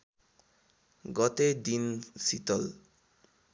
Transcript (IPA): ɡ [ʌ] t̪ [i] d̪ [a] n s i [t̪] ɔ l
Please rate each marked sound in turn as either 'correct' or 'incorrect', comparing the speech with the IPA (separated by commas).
incorrect, incorrect, incorrect, correct